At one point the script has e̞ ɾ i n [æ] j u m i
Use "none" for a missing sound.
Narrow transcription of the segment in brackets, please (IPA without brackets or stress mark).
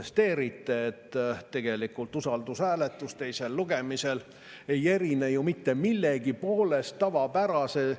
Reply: e